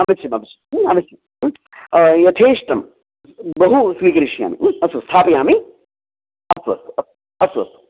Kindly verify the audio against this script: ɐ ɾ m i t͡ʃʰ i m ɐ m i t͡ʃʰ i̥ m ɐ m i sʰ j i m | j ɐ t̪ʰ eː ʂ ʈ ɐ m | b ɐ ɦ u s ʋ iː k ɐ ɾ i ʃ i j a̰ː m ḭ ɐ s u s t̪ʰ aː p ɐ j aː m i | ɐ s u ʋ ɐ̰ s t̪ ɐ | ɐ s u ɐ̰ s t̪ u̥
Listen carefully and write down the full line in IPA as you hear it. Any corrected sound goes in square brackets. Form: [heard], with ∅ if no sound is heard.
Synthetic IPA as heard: ɐ [∅] m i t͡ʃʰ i m ɐ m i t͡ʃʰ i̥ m ɐ m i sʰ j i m | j ɐ t̪ʰ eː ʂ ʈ ɐ m | b ɐ ɦ u s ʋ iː k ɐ ɾ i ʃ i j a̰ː m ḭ ɐ s u s t̪ʰ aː p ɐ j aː m i | ɐ s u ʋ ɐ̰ s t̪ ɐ | ɐ s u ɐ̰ s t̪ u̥